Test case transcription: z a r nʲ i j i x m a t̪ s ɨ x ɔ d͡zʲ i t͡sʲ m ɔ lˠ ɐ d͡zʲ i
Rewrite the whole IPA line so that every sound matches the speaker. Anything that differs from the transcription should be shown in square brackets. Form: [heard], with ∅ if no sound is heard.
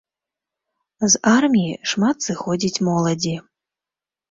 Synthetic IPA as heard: z a r [mʲ] i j i [ʂ] m a t̪ s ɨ x ɔ d͡zʲ i t͡sʲ m ɔ lˠ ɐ d͡zʲ i